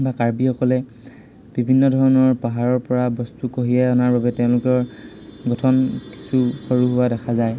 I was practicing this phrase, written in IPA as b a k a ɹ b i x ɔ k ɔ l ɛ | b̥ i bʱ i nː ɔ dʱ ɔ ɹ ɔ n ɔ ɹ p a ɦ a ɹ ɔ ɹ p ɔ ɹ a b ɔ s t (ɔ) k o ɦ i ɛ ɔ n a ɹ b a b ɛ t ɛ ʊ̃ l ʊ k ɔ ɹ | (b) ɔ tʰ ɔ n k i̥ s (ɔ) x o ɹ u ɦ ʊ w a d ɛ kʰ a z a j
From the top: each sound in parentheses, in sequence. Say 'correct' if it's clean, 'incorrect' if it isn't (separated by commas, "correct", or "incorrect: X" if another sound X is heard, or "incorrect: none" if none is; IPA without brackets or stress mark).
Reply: incorrect: u, incorrect: ɡ, incorrect: u